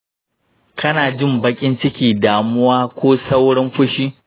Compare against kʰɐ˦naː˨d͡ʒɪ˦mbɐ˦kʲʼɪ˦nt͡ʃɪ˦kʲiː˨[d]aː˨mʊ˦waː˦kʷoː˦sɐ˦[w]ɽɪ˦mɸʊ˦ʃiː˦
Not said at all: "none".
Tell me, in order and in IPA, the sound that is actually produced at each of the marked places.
d, w

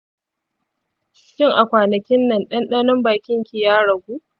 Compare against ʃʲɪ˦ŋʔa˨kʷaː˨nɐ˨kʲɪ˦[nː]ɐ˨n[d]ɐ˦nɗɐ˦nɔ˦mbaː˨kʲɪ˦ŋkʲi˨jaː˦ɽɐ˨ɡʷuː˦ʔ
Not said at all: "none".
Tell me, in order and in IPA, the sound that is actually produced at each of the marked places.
nː, ɗ

